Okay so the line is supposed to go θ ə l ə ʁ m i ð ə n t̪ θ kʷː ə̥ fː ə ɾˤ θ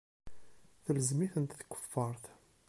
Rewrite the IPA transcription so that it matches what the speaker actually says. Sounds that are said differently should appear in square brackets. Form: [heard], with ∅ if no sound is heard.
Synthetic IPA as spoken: θ ə l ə [z] m i [θ] ə n t̪ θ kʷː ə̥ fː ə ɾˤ θ